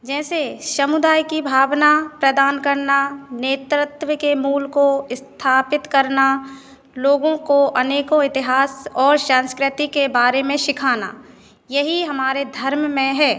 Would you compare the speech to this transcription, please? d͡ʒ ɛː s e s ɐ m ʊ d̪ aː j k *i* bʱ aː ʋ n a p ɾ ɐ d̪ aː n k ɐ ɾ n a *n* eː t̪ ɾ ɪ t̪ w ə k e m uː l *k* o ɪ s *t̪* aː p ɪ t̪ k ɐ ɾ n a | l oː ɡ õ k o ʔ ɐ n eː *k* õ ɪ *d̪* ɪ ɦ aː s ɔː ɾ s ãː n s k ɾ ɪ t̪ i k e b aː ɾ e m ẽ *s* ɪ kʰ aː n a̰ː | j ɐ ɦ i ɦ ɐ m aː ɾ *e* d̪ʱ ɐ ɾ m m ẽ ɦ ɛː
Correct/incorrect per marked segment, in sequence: correct, correct, correct, incorrect: t̪ʰ, correct, incorrect: t̪, incorrect: ʃ, correct

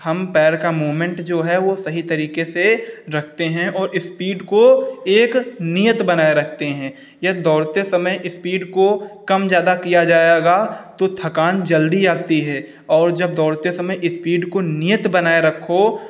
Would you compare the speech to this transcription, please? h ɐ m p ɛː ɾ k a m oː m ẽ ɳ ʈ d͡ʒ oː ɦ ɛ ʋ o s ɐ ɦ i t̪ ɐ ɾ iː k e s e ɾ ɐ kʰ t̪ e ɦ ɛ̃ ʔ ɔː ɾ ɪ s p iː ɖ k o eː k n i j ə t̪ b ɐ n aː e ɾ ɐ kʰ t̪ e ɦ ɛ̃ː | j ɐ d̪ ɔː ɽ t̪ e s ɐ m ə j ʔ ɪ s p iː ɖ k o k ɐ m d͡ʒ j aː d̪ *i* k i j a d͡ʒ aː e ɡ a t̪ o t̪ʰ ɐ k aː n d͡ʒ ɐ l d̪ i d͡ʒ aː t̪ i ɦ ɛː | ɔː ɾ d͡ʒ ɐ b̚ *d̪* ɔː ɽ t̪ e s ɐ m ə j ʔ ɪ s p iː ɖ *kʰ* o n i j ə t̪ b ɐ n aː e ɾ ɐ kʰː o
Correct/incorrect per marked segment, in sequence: incorrect: a, correct, incorrect: k

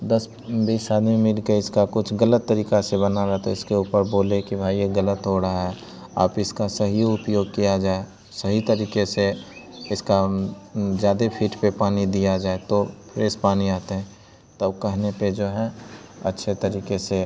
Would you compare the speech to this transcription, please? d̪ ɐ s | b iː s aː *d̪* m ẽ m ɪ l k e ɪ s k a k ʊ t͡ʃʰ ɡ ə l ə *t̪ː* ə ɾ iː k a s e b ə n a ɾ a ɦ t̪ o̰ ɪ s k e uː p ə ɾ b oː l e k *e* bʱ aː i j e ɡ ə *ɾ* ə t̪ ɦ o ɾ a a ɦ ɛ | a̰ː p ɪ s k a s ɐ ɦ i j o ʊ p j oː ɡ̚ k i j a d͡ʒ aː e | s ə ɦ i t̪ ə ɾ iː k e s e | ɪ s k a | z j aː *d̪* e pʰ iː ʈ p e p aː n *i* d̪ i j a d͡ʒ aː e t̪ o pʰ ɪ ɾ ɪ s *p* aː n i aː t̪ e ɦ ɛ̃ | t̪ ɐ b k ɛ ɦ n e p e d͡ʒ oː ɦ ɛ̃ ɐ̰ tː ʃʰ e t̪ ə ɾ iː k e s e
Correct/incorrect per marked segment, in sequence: correct, correct, incorrect: i, incorrect: l, correct, correct, correct

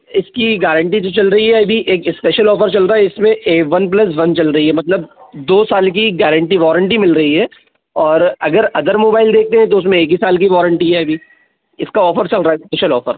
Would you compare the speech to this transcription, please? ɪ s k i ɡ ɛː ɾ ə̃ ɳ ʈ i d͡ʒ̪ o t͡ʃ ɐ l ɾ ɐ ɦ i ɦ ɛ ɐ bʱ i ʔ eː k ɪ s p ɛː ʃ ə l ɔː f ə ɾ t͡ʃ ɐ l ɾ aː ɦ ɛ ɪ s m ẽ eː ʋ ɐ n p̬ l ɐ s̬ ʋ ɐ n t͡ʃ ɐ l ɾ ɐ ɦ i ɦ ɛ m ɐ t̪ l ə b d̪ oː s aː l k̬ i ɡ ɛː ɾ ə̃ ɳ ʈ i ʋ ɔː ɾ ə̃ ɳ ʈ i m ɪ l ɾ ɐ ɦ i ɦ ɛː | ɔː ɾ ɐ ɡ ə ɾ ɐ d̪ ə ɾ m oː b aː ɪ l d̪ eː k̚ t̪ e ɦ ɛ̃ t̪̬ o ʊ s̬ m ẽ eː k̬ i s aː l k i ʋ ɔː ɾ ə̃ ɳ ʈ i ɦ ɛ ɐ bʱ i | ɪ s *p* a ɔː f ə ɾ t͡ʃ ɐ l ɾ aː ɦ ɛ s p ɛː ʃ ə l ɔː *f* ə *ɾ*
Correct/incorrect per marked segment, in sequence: incorrect: k, correct, correct

